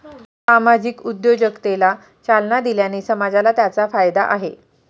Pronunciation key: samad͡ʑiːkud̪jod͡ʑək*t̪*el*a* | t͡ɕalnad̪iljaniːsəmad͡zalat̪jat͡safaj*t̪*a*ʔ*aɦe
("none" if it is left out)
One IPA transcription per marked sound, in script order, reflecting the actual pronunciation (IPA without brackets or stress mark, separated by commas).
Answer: t̪, a, d̪, ʔ